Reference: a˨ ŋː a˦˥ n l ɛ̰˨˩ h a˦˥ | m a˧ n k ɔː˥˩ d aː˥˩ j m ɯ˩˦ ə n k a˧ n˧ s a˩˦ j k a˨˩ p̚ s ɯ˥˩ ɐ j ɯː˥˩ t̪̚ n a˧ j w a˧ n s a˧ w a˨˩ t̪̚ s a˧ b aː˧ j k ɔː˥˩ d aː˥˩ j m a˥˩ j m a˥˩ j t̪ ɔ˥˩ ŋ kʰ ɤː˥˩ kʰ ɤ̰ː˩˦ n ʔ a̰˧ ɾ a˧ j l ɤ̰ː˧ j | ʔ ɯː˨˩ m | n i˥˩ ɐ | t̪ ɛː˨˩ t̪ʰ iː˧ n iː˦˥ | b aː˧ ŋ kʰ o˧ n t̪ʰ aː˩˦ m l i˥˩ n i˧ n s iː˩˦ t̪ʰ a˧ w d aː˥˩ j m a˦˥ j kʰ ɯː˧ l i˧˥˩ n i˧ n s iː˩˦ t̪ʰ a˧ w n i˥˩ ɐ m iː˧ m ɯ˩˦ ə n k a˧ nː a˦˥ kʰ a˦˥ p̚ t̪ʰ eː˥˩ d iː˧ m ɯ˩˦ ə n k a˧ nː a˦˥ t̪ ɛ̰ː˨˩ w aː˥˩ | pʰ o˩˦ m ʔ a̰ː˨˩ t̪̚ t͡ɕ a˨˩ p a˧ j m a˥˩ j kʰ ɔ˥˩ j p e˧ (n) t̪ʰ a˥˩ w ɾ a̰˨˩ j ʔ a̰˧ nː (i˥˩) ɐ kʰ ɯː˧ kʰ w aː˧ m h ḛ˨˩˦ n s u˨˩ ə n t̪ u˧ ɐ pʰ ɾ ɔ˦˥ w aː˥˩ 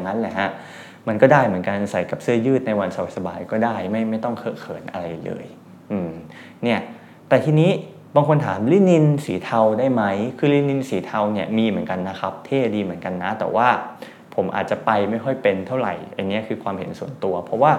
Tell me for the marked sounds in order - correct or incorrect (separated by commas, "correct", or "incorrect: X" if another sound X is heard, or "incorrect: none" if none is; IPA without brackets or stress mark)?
correct, incorrect: i˦˥